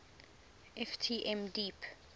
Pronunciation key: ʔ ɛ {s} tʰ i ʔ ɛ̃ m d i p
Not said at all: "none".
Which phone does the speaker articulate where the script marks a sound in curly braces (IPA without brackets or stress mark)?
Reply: f